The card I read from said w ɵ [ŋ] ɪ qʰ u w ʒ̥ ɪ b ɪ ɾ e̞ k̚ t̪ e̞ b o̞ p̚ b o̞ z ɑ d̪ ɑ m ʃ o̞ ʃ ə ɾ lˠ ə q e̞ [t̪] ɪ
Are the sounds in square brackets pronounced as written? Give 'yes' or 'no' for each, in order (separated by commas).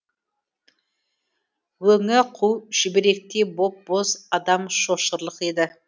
yes, no